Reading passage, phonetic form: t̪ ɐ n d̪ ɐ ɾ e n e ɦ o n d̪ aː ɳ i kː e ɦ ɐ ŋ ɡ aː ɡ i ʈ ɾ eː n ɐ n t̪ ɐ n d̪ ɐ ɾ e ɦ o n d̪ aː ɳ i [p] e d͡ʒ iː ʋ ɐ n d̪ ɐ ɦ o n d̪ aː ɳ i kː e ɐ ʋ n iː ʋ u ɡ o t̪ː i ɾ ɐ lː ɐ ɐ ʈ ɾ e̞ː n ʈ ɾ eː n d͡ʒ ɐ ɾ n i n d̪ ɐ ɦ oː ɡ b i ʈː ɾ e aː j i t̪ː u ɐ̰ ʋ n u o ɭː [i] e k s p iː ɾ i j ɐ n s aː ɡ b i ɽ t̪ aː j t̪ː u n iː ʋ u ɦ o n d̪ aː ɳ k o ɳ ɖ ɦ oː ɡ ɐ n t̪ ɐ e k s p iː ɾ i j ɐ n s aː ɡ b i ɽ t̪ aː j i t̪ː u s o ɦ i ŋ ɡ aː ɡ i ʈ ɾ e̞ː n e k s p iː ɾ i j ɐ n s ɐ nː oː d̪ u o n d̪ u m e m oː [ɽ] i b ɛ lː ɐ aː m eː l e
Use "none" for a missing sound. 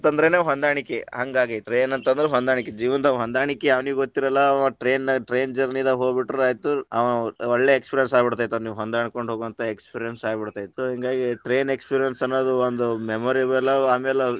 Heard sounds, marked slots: k, e, ɾ

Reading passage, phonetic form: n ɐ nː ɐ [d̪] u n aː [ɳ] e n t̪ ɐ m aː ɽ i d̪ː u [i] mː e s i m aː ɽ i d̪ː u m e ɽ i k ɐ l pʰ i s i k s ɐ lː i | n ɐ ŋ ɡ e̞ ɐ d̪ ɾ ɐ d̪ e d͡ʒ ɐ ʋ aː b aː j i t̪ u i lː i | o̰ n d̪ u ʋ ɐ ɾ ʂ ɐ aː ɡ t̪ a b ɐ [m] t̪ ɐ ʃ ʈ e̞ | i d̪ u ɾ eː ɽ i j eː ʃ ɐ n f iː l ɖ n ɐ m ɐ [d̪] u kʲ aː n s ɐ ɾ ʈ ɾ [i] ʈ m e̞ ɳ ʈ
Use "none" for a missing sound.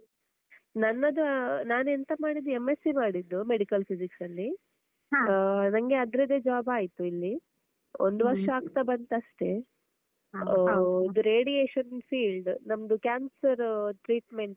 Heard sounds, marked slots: d̪, n, e, n, d̪, iː

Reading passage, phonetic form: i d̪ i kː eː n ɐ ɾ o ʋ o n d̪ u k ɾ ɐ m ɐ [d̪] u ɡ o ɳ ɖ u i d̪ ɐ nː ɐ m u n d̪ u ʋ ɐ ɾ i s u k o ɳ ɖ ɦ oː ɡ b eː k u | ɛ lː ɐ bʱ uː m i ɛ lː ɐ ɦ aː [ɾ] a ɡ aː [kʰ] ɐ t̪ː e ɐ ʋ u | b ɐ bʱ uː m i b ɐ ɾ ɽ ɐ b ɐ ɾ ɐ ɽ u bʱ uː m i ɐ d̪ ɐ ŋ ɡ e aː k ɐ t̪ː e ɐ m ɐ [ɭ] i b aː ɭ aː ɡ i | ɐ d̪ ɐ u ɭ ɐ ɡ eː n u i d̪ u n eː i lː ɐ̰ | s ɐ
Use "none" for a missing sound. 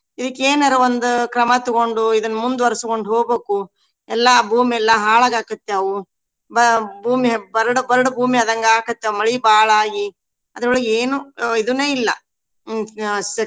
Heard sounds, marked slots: t̪, ɭ, k, ɭ

